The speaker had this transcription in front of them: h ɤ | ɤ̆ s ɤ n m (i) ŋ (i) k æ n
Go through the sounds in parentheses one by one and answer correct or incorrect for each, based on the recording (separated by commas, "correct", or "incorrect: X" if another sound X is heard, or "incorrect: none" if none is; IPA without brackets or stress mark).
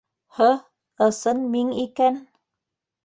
correct, correct